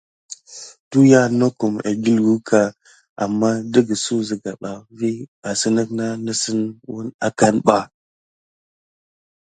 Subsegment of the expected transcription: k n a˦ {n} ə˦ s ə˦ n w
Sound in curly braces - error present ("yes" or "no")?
no